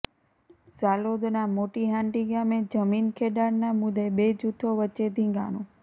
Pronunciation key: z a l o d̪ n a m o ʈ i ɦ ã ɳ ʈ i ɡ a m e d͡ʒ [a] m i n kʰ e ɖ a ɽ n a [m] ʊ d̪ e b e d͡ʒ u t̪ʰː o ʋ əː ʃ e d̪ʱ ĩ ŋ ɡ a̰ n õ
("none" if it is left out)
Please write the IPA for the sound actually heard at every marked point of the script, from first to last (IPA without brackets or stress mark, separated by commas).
ə, m